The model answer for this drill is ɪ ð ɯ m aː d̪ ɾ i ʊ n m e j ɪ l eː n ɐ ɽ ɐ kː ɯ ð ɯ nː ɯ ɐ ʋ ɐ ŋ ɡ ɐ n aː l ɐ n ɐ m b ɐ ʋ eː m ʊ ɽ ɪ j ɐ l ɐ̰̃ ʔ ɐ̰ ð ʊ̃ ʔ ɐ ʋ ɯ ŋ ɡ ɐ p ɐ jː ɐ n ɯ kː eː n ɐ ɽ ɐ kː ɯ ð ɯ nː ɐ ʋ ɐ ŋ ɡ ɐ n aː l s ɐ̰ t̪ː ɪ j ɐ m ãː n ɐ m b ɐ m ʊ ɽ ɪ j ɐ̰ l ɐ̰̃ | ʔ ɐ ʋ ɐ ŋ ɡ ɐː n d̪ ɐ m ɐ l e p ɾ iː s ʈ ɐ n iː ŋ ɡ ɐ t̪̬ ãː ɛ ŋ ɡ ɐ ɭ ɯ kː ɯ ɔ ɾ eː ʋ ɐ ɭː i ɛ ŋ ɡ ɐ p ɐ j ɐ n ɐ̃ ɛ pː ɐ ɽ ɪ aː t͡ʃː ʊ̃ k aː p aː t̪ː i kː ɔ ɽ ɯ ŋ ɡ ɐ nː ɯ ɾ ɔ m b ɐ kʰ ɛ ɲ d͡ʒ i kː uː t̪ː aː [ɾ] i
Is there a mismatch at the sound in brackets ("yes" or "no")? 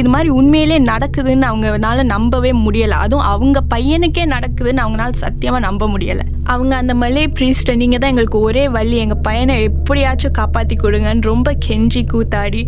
yes